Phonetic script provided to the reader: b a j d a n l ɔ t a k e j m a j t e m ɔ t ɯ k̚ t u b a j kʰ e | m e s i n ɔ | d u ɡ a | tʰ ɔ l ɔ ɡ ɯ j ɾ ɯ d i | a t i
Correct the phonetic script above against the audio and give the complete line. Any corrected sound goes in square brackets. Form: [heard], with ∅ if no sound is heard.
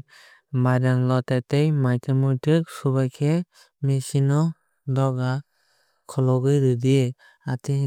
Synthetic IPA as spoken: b a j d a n l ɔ t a [t] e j m a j t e m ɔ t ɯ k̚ [s] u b a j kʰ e | m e s i n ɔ | d [ɔ] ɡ a | [kʰ] ɔ l ɔ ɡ ɯ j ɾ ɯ d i | a t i